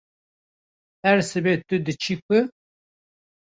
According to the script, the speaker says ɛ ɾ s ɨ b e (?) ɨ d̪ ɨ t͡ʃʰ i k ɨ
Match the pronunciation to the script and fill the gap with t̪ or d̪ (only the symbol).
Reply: t̪